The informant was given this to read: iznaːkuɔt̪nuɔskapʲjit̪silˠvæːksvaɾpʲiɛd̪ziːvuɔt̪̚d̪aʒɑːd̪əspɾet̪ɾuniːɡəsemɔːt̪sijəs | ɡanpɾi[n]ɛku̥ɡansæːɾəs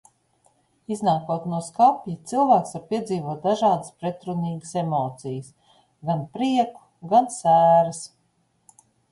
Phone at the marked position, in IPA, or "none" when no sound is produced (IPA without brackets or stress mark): none